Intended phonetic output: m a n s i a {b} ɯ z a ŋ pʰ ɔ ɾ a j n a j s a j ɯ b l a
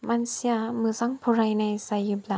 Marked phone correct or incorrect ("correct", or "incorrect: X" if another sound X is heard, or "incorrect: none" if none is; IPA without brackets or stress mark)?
incorrect: m